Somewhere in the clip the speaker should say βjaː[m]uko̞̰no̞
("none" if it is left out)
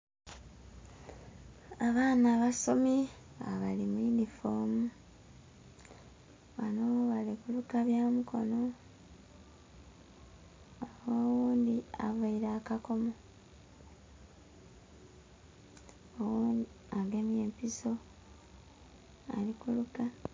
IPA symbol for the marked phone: m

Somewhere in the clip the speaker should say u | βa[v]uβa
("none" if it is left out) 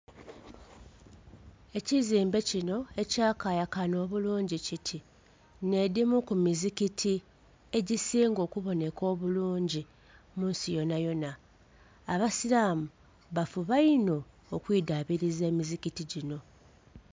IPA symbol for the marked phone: f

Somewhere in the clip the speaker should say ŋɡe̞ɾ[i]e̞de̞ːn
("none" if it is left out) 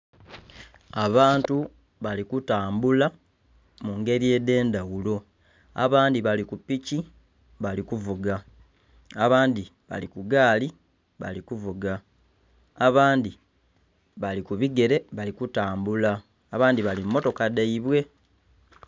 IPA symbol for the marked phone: i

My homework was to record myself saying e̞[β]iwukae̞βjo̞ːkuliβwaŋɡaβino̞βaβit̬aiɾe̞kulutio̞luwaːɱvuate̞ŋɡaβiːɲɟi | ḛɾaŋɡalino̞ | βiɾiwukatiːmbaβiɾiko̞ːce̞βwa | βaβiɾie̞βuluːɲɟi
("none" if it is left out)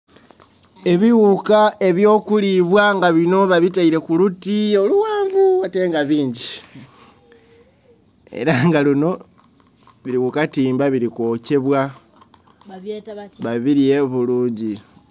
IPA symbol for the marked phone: β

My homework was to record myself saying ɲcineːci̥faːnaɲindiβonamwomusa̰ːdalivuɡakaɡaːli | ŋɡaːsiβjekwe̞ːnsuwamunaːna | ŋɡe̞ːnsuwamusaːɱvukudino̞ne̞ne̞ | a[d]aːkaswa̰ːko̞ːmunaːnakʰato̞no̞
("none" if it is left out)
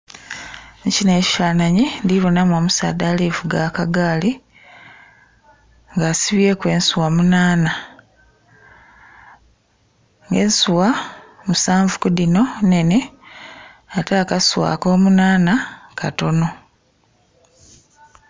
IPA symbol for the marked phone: t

